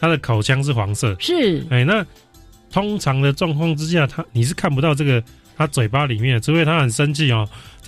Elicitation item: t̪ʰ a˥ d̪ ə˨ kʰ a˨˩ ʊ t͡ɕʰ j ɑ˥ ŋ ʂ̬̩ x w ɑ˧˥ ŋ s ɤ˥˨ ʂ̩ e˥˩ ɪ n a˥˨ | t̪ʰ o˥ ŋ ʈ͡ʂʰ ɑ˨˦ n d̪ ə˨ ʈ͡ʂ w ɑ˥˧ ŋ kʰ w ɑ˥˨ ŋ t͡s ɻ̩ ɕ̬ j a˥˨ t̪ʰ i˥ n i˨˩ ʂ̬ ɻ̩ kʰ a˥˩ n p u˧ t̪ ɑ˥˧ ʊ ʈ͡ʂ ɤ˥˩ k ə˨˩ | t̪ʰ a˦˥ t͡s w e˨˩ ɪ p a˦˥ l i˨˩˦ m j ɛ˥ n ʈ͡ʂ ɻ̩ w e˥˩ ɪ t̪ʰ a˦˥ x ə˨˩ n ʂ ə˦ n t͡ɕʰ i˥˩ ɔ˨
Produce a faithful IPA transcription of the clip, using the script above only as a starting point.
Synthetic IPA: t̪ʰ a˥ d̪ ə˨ kʰ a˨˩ ʊ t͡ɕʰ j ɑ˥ ŋ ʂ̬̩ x w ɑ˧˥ ŋ s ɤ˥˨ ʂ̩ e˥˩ ɪ n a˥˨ | t̪ʰ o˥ ŋ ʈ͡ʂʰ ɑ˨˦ ŋ d̪ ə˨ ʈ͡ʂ w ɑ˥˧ ŋ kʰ w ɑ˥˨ ŋ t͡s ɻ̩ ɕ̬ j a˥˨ t̪ʰ a˥ n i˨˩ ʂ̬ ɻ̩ kʰ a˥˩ n p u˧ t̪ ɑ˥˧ ʊ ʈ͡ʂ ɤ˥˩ ɡ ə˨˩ | t̪ʰ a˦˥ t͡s w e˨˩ ɪ p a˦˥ l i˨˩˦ m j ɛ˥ n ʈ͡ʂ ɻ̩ w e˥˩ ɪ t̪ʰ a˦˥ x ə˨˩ n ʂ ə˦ n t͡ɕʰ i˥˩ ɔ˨